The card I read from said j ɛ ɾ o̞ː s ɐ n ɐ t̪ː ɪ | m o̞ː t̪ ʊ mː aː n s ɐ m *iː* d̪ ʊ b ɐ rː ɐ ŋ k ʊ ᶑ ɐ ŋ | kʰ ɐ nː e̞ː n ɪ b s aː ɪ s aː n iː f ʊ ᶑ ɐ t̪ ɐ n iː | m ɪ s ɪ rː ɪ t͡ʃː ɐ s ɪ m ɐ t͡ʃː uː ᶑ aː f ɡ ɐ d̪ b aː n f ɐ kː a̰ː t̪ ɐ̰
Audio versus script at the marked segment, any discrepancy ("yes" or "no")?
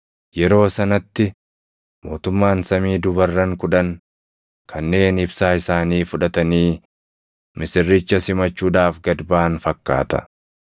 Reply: no